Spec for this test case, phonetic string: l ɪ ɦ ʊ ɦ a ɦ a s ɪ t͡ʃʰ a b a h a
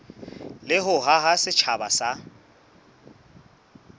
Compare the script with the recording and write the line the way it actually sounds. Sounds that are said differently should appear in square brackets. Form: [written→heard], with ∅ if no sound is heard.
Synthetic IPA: l ɪ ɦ ʊ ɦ a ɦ a s ɪ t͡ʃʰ a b a [h→s] a